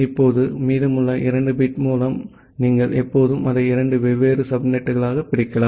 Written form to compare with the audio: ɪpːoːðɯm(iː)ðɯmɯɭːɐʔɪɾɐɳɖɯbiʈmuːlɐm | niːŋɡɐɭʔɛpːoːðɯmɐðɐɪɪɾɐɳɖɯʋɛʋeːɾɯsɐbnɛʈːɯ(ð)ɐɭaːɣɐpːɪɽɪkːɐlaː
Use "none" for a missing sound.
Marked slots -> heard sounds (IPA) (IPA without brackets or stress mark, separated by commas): iː, ɣ